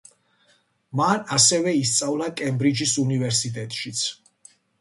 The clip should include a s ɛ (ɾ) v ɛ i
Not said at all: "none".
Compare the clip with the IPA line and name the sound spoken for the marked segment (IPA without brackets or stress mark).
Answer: none